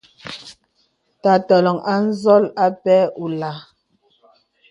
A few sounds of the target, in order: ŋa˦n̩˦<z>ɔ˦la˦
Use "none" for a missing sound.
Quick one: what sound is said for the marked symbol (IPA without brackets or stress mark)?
z